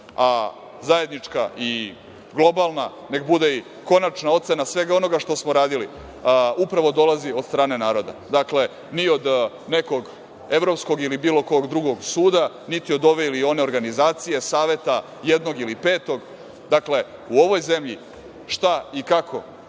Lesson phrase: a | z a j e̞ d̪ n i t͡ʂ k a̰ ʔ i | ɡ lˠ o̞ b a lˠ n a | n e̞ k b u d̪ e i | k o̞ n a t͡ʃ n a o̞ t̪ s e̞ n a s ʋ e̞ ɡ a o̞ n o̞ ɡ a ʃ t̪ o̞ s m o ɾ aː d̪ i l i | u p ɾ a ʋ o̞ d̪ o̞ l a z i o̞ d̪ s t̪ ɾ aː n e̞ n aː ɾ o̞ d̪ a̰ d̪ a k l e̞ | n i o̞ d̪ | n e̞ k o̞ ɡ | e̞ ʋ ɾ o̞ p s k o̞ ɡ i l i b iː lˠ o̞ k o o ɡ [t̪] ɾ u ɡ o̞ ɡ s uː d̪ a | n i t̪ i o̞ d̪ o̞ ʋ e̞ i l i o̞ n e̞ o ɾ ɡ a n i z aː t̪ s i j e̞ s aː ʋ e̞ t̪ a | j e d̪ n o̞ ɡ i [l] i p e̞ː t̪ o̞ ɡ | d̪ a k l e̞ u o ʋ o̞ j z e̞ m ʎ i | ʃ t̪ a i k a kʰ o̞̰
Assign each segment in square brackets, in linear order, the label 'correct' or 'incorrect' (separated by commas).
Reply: incorrect, correct